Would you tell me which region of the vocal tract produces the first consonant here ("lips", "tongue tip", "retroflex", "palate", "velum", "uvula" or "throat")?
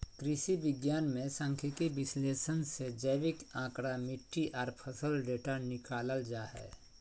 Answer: velum